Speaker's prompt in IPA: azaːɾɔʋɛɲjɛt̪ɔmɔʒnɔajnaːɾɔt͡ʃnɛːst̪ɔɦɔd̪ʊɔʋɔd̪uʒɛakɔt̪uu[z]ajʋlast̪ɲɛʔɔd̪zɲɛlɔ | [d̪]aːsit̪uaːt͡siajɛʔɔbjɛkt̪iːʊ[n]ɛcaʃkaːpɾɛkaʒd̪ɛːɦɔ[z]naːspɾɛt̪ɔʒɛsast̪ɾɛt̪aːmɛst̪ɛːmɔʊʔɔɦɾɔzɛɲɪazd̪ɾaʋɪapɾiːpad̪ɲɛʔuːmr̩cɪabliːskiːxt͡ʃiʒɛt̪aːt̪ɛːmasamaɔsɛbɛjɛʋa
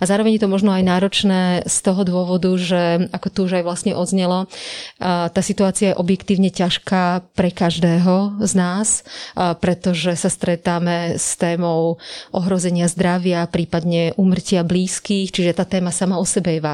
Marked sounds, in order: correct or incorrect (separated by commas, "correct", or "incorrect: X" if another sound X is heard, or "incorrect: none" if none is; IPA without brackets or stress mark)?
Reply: incorrect: ʒ, incorrect: t̪, incorrect: ɲ, correct